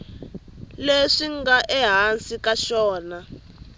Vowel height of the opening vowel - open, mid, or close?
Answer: mid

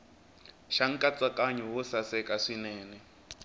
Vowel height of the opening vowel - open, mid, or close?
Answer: open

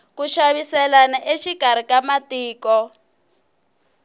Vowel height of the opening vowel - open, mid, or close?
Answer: close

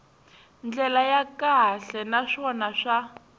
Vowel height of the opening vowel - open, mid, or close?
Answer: mid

